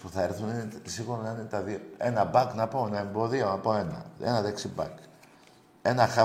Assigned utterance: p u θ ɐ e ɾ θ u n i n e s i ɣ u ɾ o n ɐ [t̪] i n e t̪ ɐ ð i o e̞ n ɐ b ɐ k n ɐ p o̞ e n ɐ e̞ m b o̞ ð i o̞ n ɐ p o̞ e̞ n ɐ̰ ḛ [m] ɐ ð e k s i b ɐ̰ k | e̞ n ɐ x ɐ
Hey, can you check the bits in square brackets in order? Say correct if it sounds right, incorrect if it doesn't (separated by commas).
incorrect, incorrect